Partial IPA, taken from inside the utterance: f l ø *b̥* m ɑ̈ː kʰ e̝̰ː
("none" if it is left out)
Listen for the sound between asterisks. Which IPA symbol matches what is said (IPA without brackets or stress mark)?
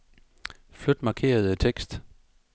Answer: d̥